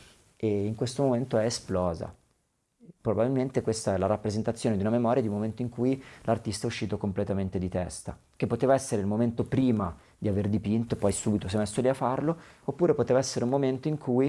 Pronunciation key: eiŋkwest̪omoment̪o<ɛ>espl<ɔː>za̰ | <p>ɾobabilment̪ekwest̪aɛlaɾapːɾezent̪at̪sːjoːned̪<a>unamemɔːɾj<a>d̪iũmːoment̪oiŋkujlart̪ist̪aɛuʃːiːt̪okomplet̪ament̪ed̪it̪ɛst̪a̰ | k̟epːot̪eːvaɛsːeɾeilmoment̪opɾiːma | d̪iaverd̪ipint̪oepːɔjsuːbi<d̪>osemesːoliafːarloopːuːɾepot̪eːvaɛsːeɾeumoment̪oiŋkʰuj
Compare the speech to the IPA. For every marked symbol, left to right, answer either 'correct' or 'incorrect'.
correct, correct, correct, incorrect: i, correct, incorrect: t̪

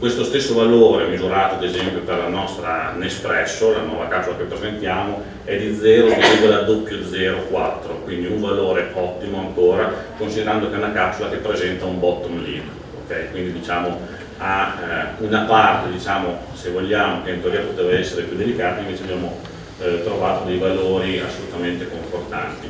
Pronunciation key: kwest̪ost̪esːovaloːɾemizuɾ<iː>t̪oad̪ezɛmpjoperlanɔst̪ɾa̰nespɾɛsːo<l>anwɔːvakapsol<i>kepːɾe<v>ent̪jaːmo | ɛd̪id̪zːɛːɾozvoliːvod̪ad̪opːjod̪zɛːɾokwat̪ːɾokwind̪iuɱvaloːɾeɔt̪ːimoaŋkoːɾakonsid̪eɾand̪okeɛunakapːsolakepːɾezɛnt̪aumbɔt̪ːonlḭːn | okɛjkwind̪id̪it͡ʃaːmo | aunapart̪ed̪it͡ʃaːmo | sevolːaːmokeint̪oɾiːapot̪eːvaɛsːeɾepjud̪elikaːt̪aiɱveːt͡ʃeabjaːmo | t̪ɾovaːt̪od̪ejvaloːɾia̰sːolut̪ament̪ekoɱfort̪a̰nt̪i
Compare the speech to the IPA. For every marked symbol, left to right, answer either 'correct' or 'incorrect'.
incorrect: aː, correct, incorrect: a, incorrect: z

